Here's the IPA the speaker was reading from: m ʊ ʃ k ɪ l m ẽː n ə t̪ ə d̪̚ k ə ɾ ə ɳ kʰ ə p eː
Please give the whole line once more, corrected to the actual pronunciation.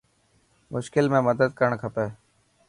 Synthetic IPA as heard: m ʊ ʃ k ɪ l m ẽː m ə d̪ ə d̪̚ k ə ɾ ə ɳ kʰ ə p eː